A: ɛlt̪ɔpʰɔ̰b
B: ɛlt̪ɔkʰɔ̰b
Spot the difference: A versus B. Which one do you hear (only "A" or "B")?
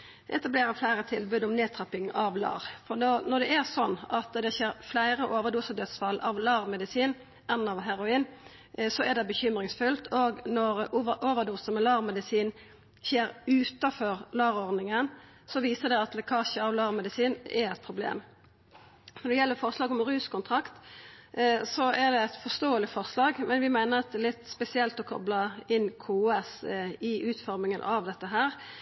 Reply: B